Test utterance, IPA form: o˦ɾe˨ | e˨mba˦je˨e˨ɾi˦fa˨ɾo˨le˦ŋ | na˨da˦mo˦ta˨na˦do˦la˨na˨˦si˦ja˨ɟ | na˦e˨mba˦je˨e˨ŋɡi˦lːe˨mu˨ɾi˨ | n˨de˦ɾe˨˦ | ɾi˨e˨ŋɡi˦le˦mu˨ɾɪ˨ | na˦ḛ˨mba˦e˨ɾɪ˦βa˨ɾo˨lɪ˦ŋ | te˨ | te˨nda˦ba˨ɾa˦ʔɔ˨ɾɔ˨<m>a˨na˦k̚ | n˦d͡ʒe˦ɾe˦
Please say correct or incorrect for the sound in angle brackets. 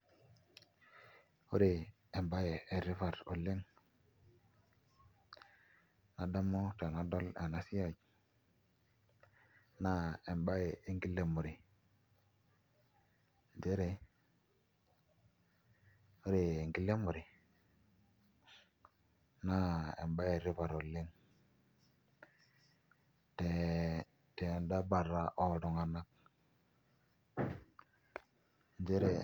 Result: incorrect